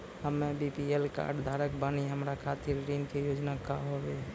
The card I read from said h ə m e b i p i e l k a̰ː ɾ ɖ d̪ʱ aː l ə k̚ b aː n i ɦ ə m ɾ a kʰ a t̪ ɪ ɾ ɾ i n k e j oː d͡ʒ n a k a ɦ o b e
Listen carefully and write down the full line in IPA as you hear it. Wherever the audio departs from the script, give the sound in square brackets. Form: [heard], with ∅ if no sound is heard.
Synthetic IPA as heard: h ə m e b i p i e l k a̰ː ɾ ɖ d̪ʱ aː [ɾ] ə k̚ b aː n i ɦ ə m ɾ a kʰ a t̪ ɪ ɾ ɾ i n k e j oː d͡ʒ n a k a ɦ o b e